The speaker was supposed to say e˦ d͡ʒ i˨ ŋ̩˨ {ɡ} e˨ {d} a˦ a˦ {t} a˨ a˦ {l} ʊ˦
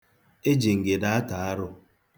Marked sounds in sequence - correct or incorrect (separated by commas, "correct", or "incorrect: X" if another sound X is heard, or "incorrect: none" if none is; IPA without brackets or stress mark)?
correct, correct, correct, incorrect: ɾ